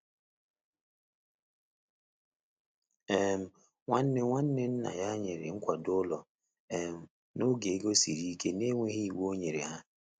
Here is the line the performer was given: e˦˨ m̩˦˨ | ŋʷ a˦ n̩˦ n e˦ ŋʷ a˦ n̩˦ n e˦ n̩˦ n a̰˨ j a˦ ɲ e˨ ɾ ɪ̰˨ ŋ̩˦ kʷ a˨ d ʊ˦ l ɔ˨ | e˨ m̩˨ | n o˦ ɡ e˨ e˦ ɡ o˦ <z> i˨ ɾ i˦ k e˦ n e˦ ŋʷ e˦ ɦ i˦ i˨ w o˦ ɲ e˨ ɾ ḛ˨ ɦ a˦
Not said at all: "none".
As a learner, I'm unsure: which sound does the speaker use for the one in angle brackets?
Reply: s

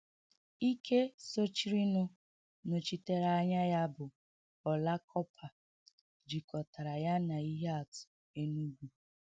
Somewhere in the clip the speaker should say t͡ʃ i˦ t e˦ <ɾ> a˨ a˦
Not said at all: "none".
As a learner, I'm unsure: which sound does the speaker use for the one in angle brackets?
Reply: ɾ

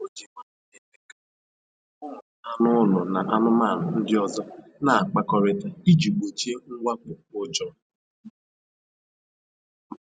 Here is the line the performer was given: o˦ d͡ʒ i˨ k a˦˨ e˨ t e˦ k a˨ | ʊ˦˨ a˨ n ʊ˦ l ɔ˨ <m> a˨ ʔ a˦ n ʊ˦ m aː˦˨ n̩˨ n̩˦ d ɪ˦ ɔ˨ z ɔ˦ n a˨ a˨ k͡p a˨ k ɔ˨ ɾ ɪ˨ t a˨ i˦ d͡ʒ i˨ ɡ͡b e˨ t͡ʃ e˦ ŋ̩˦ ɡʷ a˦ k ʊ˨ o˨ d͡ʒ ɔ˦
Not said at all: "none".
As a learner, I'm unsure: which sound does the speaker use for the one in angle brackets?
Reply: n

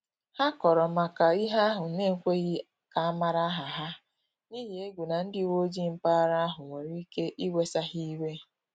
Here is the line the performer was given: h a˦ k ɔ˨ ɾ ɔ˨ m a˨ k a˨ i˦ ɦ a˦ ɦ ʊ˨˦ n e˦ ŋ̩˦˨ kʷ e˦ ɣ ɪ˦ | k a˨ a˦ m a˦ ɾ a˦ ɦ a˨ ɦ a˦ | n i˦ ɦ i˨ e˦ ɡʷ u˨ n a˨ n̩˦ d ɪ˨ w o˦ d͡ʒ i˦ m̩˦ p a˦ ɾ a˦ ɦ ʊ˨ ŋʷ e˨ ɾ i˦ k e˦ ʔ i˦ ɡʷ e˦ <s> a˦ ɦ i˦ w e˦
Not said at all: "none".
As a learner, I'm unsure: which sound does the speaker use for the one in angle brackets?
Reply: s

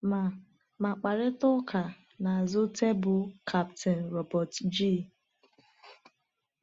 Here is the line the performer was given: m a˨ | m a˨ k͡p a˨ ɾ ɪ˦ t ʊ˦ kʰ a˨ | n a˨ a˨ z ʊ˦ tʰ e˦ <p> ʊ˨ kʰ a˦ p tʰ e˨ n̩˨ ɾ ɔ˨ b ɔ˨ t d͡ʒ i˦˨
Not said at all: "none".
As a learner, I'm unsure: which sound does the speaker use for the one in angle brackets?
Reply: b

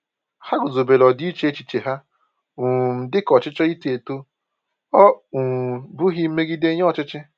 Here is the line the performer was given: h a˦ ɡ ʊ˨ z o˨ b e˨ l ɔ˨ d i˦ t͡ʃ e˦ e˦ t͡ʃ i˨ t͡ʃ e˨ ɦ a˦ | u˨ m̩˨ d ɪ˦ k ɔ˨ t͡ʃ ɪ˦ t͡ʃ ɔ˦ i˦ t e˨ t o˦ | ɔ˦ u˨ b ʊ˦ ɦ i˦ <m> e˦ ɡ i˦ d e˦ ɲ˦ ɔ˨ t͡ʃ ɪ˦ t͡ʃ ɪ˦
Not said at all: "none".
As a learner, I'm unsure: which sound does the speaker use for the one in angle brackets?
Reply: m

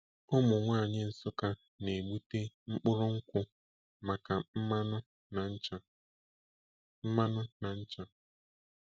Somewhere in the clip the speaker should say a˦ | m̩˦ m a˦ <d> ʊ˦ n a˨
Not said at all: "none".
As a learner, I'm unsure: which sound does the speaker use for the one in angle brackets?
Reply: n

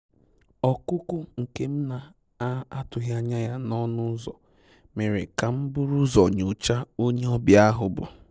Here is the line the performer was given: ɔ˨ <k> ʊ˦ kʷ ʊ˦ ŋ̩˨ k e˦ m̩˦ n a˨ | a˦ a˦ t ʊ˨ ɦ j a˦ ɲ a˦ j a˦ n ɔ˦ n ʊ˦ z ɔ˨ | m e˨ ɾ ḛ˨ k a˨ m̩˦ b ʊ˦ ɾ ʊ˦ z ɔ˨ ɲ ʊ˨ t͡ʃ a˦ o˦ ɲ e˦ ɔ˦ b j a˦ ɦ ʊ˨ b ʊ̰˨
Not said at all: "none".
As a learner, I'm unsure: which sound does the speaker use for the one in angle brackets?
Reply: k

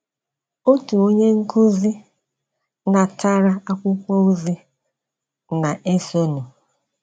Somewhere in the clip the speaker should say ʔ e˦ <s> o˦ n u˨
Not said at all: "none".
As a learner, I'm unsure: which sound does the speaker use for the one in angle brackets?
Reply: s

